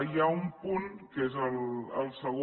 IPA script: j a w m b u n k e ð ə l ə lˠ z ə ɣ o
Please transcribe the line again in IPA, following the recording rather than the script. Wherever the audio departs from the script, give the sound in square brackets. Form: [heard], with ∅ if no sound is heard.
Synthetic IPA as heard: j a [u] m [p] u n k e [z] ə l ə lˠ [s] ə ɣ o